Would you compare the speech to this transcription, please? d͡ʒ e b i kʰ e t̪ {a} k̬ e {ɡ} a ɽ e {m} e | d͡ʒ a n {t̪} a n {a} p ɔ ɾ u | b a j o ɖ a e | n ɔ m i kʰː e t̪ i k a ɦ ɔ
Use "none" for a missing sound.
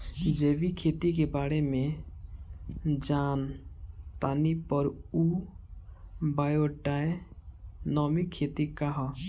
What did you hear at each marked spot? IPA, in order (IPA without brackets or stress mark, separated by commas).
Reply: i, b, m, t̪, i